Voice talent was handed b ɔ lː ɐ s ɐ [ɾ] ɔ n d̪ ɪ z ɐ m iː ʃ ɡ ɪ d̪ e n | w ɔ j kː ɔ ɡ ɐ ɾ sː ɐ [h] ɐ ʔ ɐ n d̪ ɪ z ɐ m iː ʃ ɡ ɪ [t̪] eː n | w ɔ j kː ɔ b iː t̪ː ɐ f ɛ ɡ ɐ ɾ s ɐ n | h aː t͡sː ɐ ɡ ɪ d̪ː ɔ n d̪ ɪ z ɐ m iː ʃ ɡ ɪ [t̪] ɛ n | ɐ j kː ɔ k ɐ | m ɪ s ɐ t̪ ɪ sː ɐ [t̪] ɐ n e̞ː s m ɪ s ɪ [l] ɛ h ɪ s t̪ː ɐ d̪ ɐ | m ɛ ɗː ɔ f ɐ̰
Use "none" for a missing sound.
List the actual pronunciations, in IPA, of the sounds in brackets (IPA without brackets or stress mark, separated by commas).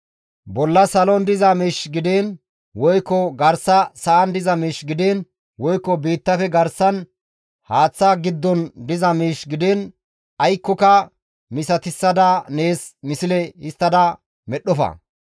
l, s, d̪, d̪, d̪, l